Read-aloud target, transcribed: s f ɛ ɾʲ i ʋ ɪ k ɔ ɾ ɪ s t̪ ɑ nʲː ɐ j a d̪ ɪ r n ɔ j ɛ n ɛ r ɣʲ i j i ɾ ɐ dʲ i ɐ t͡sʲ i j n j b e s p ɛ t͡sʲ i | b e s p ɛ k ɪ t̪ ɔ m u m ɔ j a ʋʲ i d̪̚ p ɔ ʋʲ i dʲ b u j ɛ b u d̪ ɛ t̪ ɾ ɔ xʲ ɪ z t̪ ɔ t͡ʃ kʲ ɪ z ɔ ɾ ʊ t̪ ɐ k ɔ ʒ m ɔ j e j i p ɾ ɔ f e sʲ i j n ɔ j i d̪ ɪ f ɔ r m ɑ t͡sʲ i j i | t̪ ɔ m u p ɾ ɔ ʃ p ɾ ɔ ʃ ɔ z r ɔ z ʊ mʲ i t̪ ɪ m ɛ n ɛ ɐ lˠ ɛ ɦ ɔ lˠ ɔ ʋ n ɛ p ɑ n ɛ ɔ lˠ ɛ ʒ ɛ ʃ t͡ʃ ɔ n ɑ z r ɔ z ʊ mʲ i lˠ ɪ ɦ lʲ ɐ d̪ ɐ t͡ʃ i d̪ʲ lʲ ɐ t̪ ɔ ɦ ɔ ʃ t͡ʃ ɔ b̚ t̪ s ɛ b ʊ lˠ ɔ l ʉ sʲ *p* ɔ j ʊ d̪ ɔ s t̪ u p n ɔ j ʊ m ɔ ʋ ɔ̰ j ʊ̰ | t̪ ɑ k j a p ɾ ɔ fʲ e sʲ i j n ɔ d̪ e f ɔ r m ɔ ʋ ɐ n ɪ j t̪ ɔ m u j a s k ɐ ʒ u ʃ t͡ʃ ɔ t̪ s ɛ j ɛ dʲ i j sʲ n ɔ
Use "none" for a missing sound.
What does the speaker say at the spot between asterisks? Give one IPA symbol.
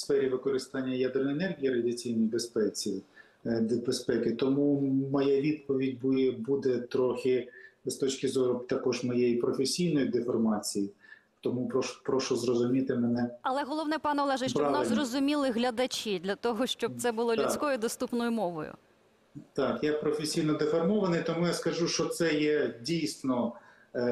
k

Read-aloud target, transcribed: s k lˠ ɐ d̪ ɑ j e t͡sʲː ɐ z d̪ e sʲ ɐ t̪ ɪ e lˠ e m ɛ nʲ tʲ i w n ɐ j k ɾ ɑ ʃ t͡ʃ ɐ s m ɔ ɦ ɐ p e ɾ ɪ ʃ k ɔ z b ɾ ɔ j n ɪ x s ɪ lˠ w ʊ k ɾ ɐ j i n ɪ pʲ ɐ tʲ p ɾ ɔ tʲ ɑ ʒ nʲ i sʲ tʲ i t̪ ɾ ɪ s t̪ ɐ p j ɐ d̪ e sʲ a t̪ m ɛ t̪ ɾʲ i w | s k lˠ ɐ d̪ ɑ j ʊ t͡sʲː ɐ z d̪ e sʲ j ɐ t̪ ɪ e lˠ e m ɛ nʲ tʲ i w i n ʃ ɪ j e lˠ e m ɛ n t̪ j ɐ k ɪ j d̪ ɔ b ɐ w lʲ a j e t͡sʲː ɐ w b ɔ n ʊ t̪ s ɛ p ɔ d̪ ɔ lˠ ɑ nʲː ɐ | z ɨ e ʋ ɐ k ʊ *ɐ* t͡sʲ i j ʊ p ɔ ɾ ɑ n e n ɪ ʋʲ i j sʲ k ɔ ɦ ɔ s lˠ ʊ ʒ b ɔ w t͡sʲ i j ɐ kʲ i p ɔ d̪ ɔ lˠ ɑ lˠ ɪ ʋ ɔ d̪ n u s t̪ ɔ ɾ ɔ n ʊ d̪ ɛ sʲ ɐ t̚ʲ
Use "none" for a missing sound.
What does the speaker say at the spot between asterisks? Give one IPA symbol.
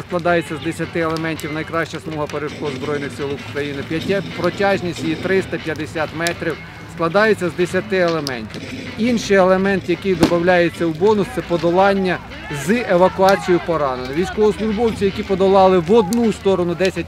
ɑ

